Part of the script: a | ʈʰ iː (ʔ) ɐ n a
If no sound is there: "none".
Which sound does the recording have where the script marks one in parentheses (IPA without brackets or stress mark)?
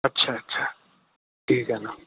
k